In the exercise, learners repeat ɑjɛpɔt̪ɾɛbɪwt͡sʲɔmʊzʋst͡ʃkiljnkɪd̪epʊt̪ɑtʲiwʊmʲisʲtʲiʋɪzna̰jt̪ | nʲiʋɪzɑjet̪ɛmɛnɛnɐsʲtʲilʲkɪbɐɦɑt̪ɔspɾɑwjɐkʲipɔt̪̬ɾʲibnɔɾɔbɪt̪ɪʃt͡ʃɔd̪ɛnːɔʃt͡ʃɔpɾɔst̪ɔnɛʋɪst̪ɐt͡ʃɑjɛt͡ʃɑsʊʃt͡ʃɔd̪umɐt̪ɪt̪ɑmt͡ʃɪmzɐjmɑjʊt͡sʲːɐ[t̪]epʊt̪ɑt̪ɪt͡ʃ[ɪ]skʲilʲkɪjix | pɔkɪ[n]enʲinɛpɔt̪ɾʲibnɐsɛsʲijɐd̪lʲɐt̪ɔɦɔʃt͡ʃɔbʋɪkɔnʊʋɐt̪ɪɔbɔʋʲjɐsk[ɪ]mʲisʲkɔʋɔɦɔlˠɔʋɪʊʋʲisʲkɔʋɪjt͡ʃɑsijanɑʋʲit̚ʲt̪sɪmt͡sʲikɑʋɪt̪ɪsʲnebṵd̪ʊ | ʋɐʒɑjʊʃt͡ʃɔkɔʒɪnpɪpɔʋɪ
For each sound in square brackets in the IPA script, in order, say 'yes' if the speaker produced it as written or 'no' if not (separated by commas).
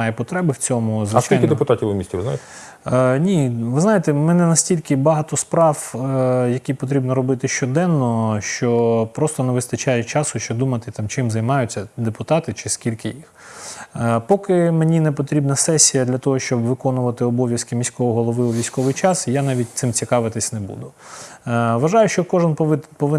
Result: no, yes, no, yes